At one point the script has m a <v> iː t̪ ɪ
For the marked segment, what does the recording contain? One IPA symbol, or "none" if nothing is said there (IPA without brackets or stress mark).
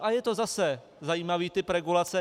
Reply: v